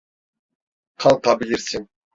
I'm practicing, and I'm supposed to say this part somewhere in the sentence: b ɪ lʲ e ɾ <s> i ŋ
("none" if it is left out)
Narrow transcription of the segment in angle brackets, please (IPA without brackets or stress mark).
s